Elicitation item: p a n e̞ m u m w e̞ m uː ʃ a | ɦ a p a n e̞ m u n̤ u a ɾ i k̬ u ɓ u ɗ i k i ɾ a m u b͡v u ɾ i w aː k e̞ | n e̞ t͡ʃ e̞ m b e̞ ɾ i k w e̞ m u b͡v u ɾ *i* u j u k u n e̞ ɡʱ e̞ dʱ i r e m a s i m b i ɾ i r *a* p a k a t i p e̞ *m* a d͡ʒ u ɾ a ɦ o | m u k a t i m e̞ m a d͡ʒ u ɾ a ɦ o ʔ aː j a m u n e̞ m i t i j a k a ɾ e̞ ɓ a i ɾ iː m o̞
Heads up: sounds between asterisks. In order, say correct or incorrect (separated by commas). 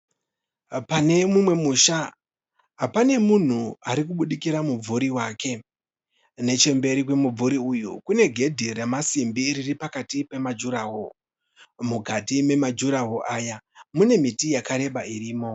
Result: correct, incorrect, correct